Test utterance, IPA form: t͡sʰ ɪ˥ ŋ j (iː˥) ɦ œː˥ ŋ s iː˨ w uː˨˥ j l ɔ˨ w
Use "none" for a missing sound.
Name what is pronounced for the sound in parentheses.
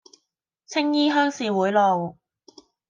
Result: iː˥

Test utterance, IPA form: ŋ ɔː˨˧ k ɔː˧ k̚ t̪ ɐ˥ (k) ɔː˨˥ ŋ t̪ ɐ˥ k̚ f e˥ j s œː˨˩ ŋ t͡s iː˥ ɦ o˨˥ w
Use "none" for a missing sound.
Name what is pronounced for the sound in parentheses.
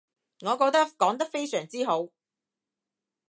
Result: k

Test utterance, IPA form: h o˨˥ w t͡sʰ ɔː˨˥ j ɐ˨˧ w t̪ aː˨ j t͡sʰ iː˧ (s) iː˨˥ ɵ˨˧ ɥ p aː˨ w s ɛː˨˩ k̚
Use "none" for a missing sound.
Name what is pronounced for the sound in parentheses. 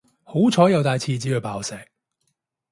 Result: t͡s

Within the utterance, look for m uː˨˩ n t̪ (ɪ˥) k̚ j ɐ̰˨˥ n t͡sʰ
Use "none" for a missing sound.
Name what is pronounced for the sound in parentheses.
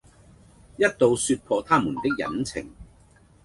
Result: ɪ˥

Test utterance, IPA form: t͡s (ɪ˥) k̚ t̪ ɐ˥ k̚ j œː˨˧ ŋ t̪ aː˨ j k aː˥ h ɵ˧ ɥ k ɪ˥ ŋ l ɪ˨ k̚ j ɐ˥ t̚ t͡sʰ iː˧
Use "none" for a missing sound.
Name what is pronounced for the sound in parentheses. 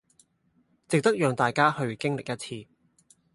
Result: ɪ˨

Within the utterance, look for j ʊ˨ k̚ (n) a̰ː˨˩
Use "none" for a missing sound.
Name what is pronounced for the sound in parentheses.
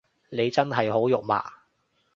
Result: m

